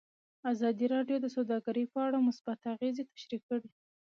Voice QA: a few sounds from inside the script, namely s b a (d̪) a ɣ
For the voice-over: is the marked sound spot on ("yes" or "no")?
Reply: no